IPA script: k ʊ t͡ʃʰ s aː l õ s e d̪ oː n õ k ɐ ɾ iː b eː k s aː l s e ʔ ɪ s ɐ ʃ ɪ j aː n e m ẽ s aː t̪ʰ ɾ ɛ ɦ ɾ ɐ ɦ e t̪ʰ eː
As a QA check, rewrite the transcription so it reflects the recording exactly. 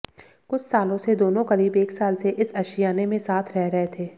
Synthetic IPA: k ʊ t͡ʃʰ s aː l õ s e d̪ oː n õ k ɐ ɾ iː b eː k s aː l s e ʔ ɪ s ɐ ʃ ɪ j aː n e m ẽ s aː t̪ʰ ɾ ɛ ɦ ɾ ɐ ɦ e t̪ʰ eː